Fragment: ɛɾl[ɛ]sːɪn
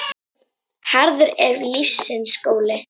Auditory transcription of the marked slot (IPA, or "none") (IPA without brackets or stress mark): i